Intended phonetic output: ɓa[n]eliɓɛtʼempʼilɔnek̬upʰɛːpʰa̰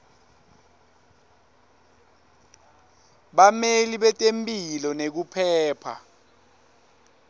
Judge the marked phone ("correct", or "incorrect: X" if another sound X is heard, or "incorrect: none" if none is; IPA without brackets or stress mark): incorrect: m